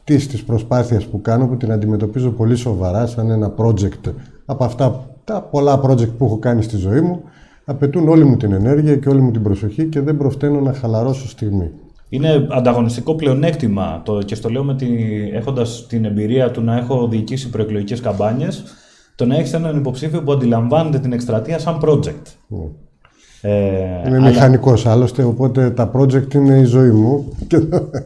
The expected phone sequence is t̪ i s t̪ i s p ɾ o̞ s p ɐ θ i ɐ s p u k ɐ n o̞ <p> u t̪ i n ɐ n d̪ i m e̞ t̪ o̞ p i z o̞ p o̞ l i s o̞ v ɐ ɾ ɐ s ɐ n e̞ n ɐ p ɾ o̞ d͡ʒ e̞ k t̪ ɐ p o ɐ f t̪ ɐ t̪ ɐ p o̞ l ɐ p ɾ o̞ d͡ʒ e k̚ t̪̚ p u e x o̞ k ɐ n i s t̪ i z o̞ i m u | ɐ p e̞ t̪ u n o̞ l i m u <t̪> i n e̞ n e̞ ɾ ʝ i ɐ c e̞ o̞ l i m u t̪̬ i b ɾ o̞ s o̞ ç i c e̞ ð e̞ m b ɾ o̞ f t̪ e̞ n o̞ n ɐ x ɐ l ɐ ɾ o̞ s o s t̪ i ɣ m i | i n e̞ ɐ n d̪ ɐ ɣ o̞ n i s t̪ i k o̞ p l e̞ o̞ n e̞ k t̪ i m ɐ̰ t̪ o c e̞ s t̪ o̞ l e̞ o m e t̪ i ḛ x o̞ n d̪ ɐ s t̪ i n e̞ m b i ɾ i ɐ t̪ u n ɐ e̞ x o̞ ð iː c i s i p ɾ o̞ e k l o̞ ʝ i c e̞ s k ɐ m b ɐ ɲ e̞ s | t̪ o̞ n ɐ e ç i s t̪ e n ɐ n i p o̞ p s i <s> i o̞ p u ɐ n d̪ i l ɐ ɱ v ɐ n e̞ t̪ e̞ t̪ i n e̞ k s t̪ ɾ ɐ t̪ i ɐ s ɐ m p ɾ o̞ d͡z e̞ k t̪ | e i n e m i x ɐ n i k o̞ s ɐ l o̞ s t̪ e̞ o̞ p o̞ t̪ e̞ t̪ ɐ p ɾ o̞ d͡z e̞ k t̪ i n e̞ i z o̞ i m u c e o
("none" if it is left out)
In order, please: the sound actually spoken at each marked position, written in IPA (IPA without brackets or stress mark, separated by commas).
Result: p, t̪, f